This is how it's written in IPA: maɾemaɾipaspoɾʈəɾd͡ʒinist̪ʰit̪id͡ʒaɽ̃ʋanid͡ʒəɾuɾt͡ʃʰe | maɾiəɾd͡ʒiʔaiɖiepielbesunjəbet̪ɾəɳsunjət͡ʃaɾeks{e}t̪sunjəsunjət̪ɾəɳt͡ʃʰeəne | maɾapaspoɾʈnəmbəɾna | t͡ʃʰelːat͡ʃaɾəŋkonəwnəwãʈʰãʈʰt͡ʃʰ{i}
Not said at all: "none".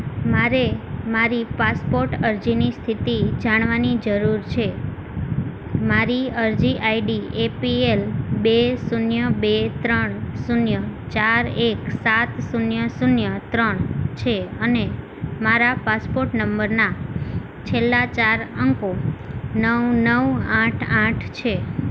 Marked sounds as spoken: a, e

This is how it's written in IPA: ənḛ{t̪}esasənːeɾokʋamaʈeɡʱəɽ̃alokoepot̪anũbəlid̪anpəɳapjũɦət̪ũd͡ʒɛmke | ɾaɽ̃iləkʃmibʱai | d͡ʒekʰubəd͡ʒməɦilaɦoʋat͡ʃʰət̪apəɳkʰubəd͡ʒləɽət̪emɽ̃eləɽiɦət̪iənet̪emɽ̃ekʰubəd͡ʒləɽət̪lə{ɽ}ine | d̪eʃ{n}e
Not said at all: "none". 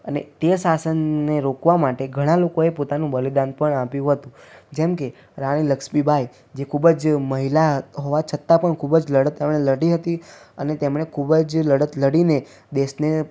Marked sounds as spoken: t̪, ɽ, n

